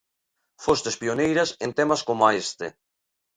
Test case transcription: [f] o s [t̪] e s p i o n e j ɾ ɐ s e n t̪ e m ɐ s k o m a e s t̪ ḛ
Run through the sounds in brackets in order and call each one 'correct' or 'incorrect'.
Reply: correct, correct

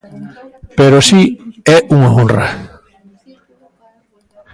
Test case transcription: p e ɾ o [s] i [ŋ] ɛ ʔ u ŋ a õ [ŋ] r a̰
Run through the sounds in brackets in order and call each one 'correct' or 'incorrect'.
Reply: correct, incorrect, incorrect

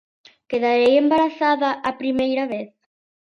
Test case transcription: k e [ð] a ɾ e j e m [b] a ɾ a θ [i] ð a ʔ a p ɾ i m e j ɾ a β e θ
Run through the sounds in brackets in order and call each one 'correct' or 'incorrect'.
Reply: correct, correct, incorrect

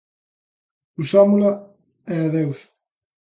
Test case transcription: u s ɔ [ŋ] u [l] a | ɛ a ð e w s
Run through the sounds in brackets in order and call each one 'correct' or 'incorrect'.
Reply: incorrect, correct

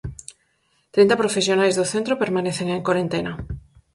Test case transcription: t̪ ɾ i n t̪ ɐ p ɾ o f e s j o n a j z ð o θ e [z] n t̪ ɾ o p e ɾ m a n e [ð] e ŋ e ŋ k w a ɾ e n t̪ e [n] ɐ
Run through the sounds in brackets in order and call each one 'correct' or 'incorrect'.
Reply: incorrect, incorrect, correct

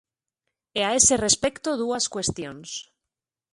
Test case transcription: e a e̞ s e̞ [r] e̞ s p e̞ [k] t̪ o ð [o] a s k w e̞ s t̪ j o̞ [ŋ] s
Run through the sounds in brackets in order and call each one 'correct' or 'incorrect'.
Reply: correct, correct, incorrect, incorrect

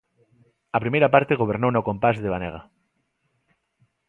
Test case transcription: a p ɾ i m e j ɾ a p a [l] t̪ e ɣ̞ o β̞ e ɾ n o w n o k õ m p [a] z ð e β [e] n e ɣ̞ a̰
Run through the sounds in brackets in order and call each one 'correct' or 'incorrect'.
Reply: incorrect, correct, incorrect

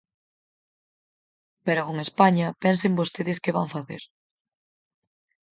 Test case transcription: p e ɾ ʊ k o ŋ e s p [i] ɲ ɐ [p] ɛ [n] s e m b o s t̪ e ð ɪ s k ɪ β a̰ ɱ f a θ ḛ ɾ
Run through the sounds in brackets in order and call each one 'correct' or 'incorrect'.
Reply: incorrect, correct, correct

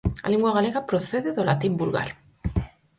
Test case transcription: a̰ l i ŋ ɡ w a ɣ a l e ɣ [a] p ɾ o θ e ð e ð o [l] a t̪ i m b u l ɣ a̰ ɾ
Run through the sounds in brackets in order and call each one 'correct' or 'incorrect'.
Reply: correct, correct

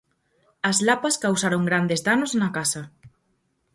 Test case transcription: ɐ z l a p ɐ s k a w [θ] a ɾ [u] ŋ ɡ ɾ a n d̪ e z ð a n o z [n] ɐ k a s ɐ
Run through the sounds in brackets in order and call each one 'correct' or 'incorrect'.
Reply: incorrect, incorrect, correct

